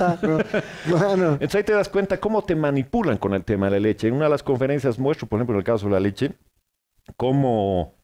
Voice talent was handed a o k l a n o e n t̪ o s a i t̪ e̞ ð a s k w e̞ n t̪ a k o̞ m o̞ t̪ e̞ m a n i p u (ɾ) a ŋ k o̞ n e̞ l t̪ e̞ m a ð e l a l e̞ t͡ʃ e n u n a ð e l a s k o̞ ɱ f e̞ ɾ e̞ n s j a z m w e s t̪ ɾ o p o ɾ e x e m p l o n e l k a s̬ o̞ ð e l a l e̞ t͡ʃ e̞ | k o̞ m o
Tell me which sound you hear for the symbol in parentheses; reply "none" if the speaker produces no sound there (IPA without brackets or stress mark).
l